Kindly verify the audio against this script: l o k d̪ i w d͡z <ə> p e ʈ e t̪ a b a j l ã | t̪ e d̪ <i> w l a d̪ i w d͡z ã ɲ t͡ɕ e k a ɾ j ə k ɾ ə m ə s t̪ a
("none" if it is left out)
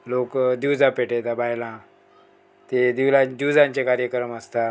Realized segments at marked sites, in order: a, i

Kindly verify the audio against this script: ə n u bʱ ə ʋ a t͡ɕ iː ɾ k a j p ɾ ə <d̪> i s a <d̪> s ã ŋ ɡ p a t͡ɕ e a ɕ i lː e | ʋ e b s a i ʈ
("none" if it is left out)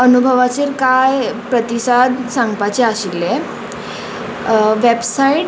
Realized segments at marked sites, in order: t̪, d̪

